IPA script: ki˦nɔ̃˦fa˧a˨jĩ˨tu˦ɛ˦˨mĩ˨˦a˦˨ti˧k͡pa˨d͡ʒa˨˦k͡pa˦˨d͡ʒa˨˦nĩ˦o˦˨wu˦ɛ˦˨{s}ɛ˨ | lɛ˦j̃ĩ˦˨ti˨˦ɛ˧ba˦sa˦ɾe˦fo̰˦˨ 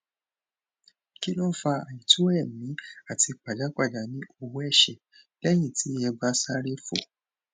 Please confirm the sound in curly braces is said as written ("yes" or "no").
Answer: no